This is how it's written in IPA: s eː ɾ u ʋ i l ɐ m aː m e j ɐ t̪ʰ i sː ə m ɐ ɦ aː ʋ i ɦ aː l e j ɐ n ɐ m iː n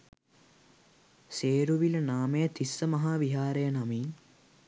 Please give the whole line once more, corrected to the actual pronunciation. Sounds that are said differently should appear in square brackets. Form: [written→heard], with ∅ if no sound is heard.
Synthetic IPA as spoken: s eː ɾ u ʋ i l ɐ [m→n] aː m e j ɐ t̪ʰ i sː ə m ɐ ɦ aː ʋ i ɦ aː [l→ɾ] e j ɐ n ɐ m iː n

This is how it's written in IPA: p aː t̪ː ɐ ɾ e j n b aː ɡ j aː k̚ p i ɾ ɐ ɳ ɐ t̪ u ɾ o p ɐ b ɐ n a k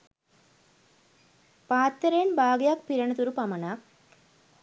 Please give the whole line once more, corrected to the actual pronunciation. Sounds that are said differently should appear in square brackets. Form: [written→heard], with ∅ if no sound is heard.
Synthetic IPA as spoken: p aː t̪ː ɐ ɾ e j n b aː ɡ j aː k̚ p i ɾ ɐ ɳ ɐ t̪ u ɾ [o→u] p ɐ [b→m] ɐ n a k

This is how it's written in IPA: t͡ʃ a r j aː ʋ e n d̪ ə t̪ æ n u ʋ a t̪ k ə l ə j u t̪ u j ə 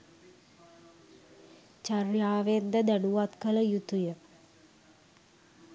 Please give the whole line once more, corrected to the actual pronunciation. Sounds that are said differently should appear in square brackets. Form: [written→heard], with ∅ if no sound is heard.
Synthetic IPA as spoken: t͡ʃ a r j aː ʋ e n d̪ ə [t̪→d̪] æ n u ʋ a t̪ k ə l ə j u t̪ u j ə

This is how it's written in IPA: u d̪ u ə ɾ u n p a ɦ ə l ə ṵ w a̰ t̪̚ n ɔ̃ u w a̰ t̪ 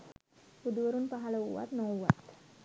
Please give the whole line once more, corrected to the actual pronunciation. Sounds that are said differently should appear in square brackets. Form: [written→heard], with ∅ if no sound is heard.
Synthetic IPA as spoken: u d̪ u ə ɾ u n p a ɦ [ə→a] l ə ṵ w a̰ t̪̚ n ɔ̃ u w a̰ t̪

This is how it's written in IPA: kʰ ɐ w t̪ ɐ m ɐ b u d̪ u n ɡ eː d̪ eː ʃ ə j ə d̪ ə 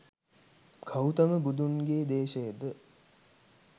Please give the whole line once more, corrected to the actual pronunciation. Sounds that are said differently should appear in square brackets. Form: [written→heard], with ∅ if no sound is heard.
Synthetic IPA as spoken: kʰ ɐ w t̪ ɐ m [ɐ→ə] b u d̪ u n ɡ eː d̪ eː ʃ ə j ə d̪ ə

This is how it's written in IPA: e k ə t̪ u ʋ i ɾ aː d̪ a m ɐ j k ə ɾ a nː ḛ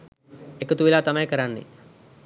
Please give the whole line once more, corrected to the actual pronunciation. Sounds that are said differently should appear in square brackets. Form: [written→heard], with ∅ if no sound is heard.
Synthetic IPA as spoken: e k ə t̪ u ʋ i [ɾ→l] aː [d̪→t̪] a m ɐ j k ə ɾ a nː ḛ

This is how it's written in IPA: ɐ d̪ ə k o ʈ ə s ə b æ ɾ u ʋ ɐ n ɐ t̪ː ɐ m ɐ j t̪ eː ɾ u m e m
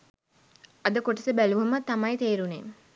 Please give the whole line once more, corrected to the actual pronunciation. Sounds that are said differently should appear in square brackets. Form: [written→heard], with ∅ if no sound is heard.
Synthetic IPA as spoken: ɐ d̪ ə k o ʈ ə s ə b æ [ɾ→l] u ʋ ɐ [n→m] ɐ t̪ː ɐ m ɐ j t̪ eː ɾ u [m→n] e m

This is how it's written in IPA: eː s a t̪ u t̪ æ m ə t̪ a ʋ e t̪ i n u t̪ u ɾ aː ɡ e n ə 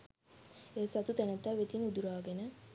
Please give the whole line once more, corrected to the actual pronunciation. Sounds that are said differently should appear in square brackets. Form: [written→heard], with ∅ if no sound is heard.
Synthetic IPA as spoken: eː s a t̪ u t̪ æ [m→n] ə t̪ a ʋ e t̪ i n u [t̪→d̪] u ɾ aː ɡ e n ə

